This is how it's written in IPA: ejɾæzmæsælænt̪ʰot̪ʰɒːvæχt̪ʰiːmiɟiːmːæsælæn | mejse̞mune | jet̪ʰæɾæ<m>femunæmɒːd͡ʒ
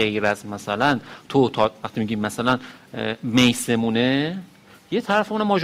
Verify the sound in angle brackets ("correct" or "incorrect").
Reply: incorrect